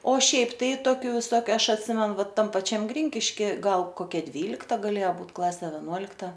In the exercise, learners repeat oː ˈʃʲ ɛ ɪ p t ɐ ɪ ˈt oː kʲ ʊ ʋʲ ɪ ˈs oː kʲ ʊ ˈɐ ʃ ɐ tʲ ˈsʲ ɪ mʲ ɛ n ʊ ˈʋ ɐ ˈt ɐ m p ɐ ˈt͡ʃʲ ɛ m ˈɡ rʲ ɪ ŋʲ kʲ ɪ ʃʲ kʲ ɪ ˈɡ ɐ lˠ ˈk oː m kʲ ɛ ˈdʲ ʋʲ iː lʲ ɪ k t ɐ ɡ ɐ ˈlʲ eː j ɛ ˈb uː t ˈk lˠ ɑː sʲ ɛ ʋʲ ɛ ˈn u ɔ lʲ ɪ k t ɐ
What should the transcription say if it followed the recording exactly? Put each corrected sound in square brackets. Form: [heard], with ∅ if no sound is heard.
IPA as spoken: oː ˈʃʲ ɛ ɪ p t ɐ ɪ ˈt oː kʲ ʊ ʋʲ ɪ ˈs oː kʲ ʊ ˈɐ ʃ ɐ tʲ ˈsʲ ɪ mʲ ɛ n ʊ ˈʋ ɐ ˈt ɐ m p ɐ ˈt͡ʃʲ ɛ m ˈɡ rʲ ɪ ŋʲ kʲ ɪ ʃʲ kʲ ɪ ˈɡ ɐ lˠ ˈk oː [∅] kʲ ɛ ˈdʲ ʋʲ iː lʲ ɪ k t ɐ ɡ ɐ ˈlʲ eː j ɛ ˈb uː t ˈk lˠ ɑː sʲ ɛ ʋʲ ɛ ˈn u ɔ lʲ ɪ k t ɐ

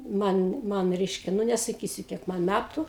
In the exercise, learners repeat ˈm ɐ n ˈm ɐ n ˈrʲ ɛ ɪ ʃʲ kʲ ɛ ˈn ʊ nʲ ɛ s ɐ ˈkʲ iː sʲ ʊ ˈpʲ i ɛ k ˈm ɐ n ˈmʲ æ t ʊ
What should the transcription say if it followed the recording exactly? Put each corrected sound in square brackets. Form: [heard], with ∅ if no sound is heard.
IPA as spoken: ˈm ɐ n ˈm ɐ n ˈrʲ ɛ ɪ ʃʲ kʲ ɛ ˈn ʊ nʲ ɛ s ɐ ˈkʲ iː sʲ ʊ [ˈkʲ] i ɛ k ˈm ɐ n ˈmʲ æ t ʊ

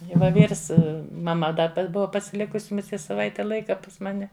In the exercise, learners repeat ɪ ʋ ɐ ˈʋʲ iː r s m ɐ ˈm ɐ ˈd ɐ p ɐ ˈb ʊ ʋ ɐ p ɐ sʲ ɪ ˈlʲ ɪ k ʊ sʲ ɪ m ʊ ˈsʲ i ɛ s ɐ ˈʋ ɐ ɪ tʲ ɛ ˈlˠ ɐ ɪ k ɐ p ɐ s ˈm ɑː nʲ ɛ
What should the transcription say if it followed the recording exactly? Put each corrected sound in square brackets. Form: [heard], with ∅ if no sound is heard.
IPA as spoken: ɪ ʋ ɐ ˈʋʲ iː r s m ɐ ˈm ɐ ˈd ɐ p ɐ ˈb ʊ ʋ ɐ p ɐ sʲ ɪ ˈlʲ ɪ k ʊ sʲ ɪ m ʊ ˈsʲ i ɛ s ɐ ˈʋ ɐ ɪ tʲ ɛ ˈlˠ ɐ ɪ k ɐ p ɐ s ˈm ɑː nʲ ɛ

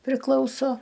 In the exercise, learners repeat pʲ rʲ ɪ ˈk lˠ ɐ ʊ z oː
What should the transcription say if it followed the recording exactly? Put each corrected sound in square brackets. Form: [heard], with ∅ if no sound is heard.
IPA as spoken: pʲ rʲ ɪ ˈk lˠ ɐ ʊ [s] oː

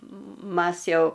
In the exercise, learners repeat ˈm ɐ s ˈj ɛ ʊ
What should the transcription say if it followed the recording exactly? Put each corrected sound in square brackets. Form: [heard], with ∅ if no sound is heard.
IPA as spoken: ˈm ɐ s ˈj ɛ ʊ

